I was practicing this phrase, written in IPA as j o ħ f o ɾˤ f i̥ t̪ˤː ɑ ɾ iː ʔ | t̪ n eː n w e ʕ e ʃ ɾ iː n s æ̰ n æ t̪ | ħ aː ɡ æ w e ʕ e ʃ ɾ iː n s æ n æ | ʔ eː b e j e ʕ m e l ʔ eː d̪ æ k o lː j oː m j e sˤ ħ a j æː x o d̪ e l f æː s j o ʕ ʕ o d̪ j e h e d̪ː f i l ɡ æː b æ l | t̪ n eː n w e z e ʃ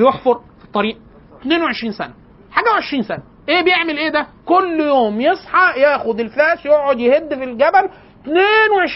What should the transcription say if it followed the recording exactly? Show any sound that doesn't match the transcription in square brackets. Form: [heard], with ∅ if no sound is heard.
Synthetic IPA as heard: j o ħ f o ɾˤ f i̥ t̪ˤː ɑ ɾ iː ʔ | t̪ n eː n w e ʕ e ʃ ɾ iː n s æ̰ n æ [∅] | ħ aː ɡ æ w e ʕ e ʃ ɾ iː n s æ n æ | ʔ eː b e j e ʕ m e l ʔ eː d̪ æ k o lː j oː m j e sˤ ħ [ɑ] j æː x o d̪ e l f æː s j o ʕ ʕ o d̪ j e h e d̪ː f i l ɡ [æ] b æ l | t̪ n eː n w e [ʕ] e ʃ